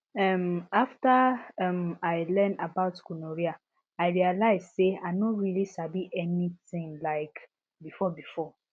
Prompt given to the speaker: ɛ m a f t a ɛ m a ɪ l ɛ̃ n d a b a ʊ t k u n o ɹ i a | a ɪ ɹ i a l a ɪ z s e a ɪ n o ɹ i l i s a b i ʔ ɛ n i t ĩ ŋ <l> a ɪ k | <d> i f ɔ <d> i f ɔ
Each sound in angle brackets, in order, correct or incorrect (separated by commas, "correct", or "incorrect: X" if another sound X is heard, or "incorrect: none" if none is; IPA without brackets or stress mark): correct, incorrect: b, incorrect: b